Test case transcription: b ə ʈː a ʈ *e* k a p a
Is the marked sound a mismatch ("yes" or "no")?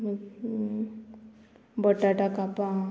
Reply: yes